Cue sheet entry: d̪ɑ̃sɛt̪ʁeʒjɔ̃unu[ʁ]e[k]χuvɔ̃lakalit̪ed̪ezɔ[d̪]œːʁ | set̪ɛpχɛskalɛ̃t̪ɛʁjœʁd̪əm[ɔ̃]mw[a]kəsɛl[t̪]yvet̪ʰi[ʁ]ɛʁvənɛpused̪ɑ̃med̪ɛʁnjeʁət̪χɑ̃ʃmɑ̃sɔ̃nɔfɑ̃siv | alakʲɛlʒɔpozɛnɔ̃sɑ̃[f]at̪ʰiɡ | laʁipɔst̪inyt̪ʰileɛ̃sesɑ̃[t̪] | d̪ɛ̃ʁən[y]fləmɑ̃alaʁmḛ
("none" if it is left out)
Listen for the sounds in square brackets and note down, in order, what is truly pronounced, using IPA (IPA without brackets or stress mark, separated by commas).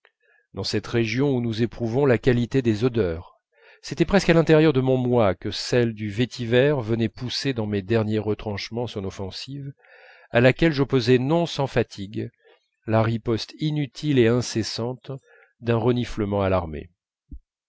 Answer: z, p, d̪, ɔ̃, a, d̪, v, f, t̪, i